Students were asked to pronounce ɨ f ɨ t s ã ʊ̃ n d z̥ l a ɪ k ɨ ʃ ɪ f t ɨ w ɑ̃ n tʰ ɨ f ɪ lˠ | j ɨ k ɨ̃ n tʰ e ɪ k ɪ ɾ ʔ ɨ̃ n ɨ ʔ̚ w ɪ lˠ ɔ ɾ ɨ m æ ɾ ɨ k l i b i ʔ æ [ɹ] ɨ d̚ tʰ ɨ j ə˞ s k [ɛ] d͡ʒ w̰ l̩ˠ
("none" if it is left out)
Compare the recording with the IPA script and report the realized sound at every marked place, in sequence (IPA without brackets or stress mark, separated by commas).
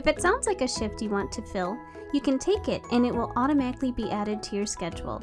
ɾ, ɛ